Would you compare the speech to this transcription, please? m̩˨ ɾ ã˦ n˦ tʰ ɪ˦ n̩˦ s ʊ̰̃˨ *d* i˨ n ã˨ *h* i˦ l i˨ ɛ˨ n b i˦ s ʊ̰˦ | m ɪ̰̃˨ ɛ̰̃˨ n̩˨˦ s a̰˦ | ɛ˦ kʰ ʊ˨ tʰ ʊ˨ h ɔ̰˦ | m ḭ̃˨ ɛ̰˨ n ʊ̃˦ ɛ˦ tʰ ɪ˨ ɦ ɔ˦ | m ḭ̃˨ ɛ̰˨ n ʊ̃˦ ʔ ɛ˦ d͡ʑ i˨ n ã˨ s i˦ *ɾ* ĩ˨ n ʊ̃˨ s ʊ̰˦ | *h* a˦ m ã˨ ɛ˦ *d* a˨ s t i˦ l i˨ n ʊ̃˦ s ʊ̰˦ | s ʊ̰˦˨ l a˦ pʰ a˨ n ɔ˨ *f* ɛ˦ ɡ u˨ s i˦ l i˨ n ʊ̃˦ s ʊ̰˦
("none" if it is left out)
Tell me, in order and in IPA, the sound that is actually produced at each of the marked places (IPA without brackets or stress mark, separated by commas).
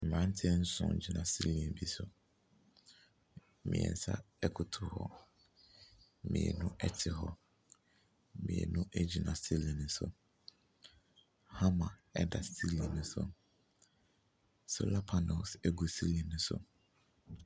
d͡ʑ, s, l, h, d, s